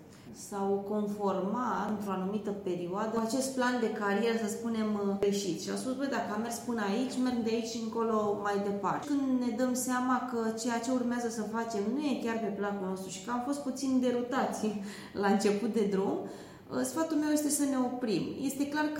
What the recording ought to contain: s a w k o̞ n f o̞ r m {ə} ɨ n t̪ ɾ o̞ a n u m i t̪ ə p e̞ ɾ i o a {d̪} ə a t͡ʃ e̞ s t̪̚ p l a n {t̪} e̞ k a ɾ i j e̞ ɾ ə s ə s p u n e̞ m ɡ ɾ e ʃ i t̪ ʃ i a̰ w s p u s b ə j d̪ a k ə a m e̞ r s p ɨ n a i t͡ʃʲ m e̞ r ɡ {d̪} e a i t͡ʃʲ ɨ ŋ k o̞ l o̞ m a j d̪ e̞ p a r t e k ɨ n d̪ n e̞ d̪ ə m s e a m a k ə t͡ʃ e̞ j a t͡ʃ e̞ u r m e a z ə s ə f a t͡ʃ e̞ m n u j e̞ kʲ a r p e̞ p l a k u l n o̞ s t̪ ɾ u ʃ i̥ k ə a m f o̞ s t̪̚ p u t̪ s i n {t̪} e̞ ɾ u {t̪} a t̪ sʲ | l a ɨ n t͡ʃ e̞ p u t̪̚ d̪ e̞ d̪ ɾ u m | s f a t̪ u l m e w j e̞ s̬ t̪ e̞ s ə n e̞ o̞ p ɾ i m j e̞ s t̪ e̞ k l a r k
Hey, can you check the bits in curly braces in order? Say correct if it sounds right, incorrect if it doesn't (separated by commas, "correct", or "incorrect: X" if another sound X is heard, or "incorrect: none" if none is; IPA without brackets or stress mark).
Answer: incorrect: a, correct, incorrect: d̪, correct, incorrect: d̪, correct